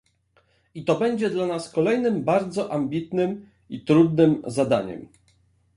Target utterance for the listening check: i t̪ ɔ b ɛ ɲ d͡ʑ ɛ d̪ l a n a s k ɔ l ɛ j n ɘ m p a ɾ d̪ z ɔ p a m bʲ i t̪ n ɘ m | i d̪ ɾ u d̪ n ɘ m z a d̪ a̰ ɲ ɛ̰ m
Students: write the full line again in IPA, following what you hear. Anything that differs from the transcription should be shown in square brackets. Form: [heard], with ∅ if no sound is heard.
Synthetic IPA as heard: i t̪ ɔ b ɛ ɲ d͡ʑ ɛ d̪ l a n a s k ɔ l ɛ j n ɘ m [b] a ɾ d̪ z ɔ [ʔ] a m bʲ i t̪ n ɘ m | i [t̪] ɾ u d̪ n ɘ m z a d̪ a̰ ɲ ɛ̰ m